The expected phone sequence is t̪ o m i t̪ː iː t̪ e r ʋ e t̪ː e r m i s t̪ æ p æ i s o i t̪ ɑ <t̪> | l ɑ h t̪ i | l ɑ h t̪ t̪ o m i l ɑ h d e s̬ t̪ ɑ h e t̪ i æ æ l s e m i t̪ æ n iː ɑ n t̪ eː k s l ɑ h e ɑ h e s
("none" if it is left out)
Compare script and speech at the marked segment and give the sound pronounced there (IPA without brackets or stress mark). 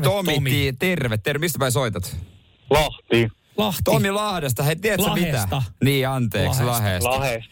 t̪